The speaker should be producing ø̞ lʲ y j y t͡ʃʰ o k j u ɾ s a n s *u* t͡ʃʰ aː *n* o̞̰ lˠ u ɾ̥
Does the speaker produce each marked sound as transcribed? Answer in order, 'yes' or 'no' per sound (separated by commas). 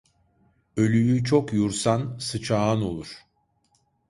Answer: no, yes